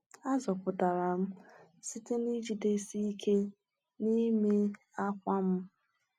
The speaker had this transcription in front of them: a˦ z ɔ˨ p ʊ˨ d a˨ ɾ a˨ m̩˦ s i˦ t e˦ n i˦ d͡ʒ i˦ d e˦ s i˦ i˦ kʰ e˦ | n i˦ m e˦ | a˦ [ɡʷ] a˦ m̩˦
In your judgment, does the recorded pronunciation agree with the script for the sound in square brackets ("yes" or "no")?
no